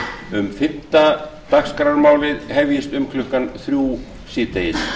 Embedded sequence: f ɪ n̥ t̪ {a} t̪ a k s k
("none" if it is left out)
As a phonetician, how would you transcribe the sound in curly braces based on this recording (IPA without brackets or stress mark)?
a